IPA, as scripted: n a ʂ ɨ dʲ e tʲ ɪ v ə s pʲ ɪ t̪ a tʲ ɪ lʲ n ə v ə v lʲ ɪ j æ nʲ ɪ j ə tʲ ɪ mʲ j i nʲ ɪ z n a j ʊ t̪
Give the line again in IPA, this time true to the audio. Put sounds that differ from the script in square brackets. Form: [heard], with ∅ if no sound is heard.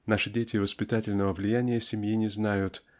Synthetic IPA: n a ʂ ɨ dʲ e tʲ ɪ v ə s pʲ ɪ t̪ a tʲ ɪ lʲ n ə v ə v lʲ ɪ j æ nʲ ɪ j ə [sʲ] ɪ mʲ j i nʲ ɪ z n a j ʊ t̪